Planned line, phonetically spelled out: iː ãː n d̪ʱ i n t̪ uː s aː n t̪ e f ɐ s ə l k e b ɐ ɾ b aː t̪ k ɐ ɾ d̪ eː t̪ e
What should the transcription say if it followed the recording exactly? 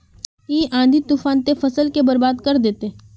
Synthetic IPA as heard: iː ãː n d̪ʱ i t̪ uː f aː n t̪ e f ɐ s ə l k e b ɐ ɾ b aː d̪ k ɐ ɾ d̪ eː t̪ e